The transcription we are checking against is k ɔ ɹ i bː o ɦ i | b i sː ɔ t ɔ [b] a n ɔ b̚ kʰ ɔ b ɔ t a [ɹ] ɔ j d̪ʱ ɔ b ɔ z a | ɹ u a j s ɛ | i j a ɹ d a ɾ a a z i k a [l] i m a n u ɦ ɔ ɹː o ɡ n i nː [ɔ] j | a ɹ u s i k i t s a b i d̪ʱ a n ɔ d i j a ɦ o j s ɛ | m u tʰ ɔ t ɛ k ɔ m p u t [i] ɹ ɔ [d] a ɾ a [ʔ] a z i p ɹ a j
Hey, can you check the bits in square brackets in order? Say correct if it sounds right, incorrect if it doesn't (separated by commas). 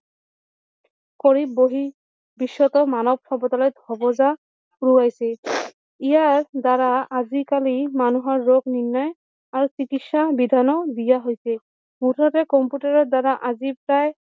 incorrect, incorrect, correct, correct, incorrect, correct, correct